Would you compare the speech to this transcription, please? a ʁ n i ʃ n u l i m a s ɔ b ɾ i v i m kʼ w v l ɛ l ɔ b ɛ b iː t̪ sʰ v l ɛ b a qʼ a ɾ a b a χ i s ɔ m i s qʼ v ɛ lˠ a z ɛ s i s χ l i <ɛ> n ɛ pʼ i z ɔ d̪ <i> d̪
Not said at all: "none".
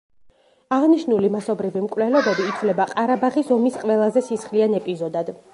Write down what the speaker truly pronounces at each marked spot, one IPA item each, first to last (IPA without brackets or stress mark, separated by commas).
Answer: a, a